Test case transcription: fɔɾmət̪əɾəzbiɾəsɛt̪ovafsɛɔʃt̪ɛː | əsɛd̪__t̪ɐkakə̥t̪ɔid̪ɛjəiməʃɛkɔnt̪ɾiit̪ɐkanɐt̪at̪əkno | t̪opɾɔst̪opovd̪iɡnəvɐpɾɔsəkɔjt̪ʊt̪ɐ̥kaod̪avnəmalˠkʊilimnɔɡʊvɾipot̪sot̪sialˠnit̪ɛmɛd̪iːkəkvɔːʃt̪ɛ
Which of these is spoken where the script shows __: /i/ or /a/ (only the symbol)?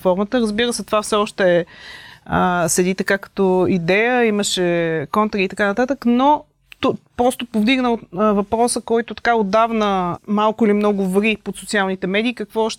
i